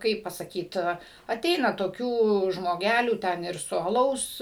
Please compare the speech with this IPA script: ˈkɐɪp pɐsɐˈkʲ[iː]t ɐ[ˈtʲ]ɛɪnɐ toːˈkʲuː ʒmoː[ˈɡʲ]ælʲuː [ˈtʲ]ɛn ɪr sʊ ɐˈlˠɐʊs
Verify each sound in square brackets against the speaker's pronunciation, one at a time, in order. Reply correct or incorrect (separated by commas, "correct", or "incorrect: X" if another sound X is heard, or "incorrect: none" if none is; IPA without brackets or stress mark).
correct, correct, correct, correct